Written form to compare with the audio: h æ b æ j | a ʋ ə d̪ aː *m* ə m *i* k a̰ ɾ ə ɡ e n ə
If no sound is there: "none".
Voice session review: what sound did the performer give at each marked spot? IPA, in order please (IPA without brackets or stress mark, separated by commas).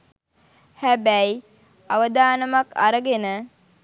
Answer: n, a